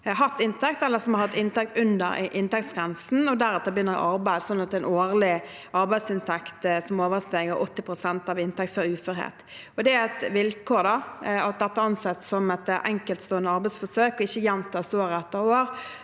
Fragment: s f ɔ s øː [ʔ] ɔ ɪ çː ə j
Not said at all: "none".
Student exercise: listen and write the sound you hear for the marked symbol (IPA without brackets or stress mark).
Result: k